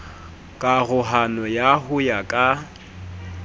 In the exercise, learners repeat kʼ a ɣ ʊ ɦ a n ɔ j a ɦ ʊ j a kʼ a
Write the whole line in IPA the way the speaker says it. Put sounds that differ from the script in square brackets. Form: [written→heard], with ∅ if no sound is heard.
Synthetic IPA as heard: kʼ a ɣ ʊ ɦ a n ɔ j a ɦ ʊ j a kʼ a